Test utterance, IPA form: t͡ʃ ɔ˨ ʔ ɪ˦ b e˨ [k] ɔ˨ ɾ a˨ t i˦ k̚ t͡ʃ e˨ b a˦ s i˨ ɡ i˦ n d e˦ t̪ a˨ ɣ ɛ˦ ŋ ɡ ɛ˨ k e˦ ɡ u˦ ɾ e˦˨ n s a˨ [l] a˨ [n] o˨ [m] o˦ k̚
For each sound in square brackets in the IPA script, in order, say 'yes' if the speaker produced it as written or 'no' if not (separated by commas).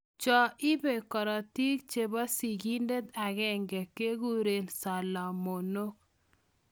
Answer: yes, yes, no, no